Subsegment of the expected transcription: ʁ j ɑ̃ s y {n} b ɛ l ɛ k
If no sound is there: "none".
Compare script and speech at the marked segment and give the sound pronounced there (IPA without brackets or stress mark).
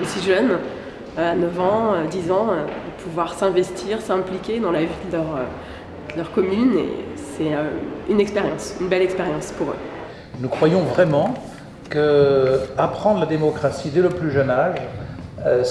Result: n